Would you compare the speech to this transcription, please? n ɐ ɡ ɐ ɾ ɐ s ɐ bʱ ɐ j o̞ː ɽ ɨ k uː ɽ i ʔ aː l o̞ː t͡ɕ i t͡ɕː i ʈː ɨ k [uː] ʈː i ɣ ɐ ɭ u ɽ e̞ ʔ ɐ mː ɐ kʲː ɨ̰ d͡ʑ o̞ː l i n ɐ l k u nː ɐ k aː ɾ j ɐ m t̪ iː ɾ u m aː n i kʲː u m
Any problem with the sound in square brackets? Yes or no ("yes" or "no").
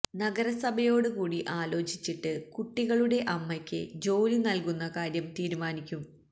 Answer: yes